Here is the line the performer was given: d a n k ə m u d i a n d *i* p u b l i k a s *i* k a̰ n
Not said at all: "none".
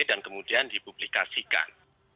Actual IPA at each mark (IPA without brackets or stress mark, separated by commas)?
i, i